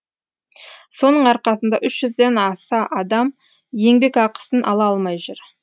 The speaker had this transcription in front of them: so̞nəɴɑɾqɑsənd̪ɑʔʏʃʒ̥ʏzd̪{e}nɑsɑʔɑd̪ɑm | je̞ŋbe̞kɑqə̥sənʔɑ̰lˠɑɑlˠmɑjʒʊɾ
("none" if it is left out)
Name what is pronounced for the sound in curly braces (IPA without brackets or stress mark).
e